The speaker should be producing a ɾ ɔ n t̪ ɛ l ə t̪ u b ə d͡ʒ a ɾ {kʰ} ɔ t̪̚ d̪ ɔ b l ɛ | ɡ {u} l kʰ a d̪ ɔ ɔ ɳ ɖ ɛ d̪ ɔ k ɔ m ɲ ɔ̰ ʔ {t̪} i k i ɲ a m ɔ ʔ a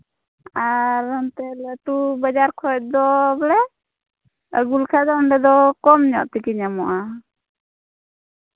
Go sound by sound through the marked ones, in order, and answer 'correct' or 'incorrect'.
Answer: correct, correct, correct

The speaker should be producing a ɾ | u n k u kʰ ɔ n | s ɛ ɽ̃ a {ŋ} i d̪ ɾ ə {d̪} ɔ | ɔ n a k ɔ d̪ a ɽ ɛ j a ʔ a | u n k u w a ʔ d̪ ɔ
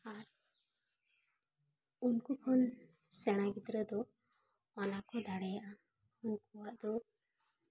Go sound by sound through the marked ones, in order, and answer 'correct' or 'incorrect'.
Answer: incorrect, correct

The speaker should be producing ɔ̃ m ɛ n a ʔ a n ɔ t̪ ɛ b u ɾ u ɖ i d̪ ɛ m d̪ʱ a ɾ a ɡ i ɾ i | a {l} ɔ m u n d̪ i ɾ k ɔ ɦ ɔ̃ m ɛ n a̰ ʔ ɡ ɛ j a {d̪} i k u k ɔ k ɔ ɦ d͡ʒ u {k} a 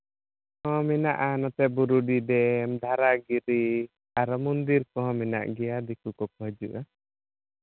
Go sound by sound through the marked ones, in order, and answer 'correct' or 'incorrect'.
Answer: incorrect, correct, incorrect

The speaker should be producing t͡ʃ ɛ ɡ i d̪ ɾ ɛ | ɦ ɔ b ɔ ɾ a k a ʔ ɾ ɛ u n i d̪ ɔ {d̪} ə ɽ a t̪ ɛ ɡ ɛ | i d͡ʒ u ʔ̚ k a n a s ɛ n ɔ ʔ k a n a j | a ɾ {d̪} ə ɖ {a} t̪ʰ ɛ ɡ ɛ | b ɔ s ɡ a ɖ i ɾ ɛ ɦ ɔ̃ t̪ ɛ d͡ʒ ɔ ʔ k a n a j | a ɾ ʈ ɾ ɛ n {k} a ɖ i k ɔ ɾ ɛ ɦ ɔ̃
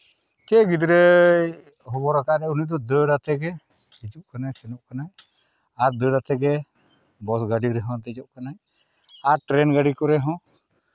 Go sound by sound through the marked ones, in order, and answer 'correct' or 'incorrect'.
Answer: correct, correct, correct, incorrect

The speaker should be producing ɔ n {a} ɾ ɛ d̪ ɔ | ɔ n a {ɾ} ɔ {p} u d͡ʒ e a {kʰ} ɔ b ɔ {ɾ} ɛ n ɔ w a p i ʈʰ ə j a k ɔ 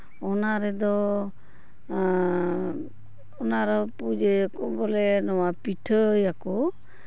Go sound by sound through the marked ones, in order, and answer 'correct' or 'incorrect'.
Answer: correct, correct, correct, incorrect, incorrect

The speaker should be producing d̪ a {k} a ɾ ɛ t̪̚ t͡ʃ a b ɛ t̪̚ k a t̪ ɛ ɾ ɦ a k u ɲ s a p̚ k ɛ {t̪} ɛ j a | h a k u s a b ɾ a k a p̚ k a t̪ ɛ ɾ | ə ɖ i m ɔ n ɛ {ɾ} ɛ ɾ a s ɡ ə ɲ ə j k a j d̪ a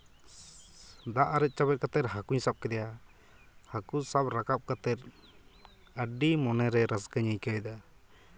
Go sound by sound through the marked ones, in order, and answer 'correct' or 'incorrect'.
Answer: incorrect, incorrect, correct

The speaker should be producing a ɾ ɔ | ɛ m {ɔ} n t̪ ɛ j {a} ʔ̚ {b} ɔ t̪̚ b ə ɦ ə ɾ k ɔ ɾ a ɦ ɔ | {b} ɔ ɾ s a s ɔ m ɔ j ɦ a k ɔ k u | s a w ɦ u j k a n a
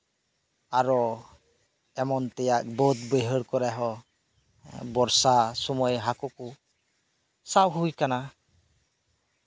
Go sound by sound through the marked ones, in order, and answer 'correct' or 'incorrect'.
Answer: correct, correct, correct, correct

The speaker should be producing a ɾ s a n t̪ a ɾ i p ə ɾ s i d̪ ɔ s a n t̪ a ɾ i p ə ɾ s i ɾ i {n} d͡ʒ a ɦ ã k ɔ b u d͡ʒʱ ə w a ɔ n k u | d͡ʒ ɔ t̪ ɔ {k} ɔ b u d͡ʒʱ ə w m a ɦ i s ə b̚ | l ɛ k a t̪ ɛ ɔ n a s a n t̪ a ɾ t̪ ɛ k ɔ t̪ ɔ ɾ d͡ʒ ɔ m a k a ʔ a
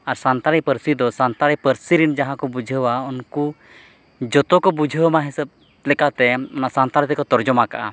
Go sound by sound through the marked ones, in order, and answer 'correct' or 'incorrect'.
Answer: correct, correct

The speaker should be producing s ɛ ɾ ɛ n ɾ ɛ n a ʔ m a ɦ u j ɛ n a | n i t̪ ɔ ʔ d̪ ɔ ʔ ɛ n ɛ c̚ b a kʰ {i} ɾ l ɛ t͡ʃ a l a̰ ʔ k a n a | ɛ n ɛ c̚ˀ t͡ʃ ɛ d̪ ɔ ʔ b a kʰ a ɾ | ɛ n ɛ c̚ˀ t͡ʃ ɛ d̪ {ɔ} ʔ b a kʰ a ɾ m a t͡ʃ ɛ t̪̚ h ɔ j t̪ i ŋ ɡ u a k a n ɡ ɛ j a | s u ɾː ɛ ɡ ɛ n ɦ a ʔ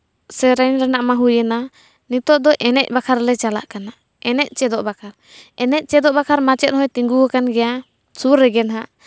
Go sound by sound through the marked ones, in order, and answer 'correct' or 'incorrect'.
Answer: incorrect, correct

